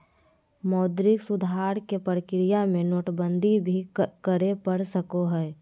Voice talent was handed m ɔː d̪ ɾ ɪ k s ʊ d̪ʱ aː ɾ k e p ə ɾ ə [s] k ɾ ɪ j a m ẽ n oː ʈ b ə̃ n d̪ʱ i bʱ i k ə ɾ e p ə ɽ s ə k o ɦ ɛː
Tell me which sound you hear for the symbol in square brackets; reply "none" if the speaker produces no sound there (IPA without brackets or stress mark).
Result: none